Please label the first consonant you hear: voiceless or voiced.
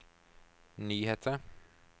voiced